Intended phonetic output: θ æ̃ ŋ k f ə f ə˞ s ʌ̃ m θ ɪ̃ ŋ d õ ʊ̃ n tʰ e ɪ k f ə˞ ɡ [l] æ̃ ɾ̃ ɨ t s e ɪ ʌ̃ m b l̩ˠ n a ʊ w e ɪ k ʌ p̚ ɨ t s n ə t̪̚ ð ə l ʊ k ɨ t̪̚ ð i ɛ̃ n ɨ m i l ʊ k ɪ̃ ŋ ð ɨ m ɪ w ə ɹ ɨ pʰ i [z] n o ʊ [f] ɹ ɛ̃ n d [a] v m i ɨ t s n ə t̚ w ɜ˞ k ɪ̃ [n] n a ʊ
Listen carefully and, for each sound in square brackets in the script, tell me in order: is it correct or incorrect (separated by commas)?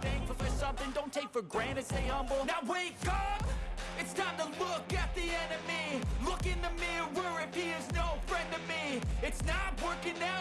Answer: incorrect, correct, correct, incorrect, incorrect